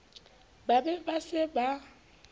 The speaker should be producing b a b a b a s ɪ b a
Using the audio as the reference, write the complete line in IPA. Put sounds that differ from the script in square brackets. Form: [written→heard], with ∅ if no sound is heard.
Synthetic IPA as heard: b a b [a→ɛ] b a s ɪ b a